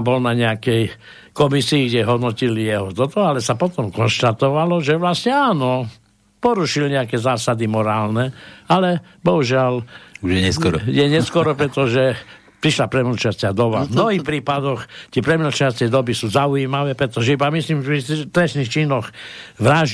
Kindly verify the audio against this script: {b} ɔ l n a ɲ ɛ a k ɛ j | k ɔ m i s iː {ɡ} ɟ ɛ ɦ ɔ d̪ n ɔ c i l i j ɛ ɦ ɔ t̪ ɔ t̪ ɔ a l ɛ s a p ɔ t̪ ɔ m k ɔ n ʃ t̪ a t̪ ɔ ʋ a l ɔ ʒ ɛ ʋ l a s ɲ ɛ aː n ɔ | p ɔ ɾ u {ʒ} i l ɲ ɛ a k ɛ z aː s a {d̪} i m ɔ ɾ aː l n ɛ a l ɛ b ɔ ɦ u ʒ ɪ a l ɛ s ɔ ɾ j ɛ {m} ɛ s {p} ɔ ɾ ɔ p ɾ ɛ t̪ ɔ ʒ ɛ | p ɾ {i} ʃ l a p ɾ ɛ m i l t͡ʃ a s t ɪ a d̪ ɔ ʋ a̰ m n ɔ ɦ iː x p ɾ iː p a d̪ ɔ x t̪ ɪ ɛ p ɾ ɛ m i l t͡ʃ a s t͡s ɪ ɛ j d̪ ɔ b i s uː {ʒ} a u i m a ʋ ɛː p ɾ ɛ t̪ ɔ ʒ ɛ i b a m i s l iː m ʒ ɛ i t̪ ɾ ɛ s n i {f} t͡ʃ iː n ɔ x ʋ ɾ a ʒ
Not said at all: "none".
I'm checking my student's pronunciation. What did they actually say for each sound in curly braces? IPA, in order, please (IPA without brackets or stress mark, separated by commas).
b, ɡ, ʃ, d̪, ɲ, k, i, z, x